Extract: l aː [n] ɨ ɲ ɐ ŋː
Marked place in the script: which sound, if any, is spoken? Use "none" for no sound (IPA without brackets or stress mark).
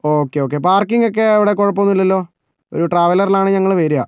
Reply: ɳ